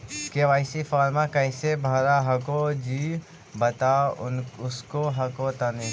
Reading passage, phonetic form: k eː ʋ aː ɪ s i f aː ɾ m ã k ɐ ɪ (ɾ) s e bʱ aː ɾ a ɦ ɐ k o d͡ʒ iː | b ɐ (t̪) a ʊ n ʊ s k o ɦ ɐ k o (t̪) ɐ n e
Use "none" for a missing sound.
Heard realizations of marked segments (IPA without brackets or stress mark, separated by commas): none, t̪, t̪